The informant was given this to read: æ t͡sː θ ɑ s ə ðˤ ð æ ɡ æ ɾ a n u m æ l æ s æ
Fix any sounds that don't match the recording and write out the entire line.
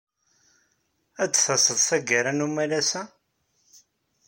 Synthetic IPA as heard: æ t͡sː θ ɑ s ə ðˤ θ æ ɡ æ ɾ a n u m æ l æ s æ

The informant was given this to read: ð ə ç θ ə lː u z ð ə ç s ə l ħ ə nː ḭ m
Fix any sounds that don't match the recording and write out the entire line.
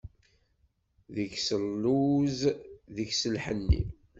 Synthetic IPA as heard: ð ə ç s ə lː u z ð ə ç s ə l ħ ə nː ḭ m

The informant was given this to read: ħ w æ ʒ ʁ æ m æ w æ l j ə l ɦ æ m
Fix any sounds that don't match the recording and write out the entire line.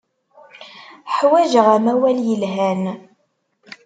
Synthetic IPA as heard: ħ w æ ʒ ʁ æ m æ w æ l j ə l ɦ æ n

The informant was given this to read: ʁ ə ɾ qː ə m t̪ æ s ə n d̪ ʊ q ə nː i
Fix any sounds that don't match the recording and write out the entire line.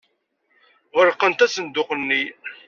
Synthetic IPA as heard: ʁ ə ɾ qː ə n t̪ æ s ə n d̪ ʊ q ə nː i

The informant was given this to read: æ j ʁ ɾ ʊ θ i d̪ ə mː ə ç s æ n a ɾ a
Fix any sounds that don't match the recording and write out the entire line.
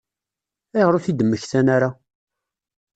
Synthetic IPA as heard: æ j ʁ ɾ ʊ θ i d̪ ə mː ə ç θ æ n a ɾ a

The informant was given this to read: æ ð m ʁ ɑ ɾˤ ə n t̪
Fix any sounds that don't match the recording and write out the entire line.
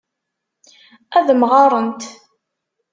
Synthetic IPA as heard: æ ð m ʁ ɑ ɾˤ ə n t̪

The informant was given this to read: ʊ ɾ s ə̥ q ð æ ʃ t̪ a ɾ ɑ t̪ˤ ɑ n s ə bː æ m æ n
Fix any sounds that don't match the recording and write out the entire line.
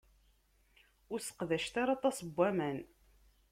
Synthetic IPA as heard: ʊ ɾ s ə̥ q ð æ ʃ t̪ a ɾ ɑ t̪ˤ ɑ s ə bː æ m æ n

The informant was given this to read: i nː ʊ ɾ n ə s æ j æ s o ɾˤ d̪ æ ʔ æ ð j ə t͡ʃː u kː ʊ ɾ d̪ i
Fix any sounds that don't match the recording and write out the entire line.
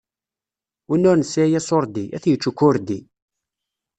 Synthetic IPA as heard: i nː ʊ ɾ n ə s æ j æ s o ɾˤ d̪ i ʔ æ θ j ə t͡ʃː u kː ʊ ɾ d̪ i

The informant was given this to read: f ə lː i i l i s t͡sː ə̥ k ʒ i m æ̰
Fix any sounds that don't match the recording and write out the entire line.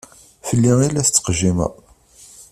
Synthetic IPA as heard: f ə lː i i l æ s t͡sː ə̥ q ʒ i m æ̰

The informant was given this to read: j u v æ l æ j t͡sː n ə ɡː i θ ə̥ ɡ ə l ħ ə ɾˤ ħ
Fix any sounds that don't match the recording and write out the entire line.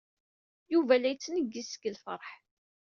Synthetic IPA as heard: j u v æ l æ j t͡sː n ə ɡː i s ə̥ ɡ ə l f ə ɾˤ ħ

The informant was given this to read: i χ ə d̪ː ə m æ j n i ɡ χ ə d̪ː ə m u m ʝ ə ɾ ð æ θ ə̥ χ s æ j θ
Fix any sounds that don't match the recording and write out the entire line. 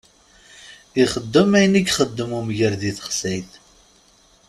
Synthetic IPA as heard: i χ ə d̪ː ə m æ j n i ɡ χ ə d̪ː ə m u m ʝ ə ɾ ð i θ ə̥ χ s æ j θ

